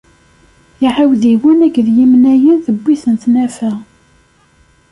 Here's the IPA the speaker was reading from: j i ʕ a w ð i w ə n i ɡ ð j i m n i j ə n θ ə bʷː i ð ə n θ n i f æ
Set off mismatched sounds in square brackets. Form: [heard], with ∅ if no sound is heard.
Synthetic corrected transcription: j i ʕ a w ð i w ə n [æ] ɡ ð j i m n [æ] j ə n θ ə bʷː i [θ] ə n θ n [æ] f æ